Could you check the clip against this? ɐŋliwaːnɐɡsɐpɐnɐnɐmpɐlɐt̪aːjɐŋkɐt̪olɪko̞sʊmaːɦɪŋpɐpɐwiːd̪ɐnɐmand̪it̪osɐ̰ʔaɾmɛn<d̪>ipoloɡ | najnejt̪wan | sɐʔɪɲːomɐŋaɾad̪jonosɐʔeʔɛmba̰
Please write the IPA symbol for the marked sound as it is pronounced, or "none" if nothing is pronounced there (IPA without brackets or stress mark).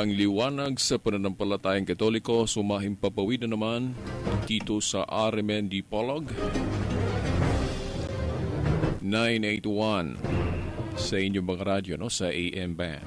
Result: d̪